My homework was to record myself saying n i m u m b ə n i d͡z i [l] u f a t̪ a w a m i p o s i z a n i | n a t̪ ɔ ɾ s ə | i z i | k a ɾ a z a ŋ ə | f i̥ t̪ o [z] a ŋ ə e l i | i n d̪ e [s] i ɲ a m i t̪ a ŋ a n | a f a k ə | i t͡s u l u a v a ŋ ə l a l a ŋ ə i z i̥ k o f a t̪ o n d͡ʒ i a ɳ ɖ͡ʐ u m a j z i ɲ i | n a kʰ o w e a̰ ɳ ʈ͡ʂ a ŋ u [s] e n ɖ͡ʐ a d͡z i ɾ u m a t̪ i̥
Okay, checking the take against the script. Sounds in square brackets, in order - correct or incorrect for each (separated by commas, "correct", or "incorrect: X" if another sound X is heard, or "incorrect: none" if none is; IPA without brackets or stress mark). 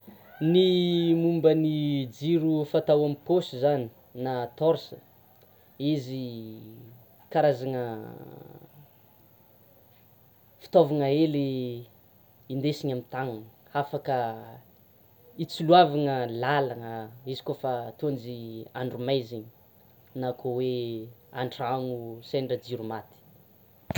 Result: incorrect: ɾ, incorrect: v, correct, correct